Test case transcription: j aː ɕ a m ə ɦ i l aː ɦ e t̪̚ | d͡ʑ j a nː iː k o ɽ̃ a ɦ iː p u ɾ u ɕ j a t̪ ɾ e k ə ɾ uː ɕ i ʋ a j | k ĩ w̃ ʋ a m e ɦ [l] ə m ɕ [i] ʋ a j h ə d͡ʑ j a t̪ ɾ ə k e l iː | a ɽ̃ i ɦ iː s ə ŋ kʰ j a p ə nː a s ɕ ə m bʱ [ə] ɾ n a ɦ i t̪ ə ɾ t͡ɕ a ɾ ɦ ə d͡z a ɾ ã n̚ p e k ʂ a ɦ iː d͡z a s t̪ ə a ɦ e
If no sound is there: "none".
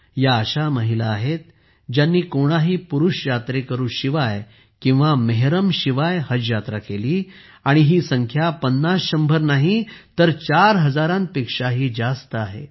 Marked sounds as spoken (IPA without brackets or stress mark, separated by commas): ɾ, i, ə